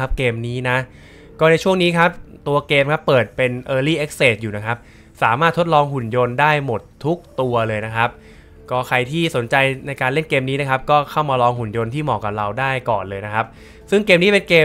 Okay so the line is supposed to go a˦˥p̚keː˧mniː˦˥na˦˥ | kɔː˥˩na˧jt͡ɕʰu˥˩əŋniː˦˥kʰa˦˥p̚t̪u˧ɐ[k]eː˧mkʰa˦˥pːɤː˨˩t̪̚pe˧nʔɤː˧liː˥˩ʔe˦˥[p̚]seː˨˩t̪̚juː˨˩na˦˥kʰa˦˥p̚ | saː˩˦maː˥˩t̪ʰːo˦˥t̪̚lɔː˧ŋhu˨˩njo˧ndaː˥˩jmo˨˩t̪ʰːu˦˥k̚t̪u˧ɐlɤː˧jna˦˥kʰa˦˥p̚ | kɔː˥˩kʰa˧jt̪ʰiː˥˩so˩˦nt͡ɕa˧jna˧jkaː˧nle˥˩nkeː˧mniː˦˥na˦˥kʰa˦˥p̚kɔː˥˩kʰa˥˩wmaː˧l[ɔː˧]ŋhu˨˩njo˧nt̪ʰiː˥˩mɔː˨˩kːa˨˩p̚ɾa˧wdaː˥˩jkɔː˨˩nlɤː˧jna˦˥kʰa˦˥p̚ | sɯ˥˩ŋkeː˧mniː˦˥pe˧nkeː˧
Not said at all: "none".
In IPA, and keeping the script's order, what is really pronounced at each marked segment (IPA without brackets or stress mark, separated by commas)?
k, k̚, ɔː˧